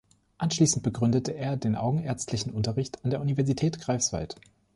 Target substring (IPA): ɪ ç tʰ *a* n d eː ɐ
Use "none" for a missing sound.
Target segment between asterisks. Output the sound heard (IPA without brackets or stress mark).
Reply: a